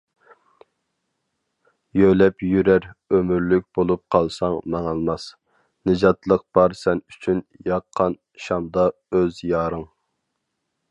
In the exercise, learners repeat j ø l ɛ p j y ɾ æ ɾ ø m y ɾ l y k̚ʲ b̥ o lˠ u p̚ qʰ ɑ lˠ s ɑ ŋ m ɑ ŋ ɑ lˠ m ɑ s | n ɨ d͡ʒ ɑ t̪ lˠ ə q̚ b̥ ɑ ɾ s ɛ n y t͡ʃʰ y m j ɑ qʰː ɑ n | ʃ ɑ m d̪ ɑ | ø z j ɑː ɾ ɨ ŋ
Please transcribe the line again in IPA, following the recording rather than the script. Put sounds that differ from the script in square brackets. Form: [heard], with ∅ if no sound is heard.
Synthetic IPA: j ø l ɛ p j y ɾ æ ɾ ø m y ɾ l y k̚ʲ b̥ o lˠ u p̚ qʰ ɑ lˠ s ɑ ŋ m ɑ ŋ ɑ lˠ m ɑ s | n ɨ d͡ʒ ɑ t̪ lˠ ə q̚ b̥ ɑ ɾ s ɛ n y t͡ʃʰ y [n] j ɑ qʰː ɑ n | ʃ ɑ m d̪ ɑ | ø z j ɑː ɾ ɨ ŋ